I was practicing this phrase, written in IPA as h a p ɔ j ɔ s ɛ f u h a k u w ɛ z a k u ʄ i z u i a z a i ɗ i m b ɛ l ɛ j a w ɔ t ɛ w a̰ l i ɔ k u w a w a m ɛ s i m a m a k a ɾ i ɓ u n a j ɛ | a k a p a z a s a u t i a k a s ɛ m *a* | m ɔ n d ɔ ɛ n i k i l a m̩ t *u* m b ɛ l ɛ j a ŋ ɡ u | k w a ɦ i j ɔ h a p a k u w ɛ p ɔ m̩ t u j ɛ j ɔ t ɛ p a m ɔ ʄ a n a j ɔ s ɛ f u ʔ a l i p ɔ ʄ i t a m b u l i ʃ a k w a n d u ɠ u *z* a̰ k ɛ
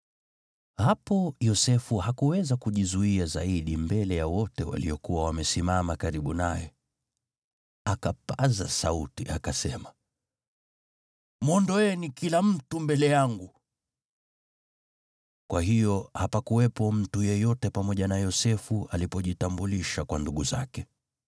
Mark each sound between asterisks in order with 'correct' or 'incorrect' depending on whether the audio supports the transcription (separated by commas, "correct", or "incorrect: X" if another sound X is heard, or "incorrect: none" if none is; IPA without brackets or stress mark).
correct, correct, correct